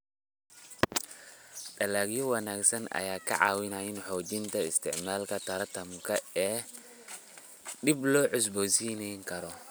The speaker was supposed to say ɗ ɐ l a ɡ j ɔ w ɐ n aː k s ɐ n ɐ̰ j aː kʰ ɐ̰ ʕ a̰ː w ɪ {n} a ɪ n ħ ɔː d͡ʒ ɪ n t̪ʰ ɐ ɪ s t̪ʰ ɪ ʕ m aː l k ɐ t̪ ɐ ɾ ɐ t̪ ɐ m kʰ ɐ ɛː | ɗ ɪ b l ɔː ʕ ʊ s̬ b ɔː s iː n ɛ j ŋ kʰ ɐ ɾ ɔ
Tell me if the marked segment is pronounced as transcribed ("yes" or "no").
yes